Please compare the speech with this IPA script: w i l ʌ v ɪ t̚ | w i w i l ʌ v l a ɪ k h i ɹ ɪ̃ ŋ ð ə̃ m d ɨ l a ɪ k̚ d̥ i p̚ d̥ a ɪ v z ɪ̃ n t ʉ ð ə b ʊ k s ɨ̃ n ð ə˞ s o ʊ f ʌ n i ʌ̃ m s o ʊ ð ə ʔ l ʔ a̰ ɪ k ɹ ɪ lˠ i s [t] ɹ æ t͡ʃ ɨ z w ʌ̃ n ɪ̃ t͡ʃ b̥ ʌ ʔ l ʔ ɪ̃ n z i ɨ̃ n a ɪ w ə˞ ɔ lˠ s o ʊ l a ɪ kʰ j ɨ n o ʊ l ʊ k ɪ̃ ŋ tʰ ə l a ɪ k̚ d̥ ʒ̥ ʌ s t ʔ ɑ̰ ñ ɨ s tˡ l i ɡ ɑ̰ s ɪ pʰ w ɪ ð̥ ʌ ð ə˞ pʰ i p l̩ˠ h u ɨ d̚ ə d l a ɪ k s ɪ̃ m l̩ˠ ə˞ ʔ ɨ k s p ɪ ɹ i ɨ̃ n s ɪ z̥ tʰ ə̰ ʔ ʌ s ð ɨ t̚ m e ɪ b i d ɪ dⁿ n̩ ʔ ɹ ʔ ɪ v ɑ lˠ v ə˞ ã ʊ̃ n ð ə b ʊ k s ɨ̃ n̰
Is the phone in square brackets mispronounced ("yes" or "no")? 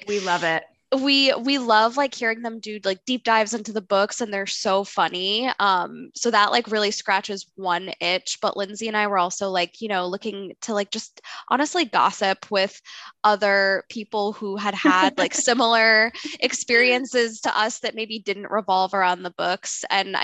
yes